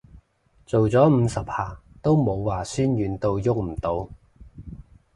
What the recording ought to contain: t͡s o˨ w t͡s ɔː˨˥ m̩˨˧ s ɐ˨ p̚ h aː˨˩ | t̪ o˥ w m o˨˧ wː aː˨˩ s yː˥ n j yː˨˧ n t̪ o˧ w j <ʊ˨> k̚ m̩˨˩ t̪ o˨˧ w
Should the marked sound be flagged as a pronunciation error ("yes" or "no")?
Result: yes